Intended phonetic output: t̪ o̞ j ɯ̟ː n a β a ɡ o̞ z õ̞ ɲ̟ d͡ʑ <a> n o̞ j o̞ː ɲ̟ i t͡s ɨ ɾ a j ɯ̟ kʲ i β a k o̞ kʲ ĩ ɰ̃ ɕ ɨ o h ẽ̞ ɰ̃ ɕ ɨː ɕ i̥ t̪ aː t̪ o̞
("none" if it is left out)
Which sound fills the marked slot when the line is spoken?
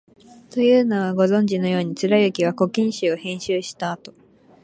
i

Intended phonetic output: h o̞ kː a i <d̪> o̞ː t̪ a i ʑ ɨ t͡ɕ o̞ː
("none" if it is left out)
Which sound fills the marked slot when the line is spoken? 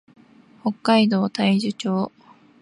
d̪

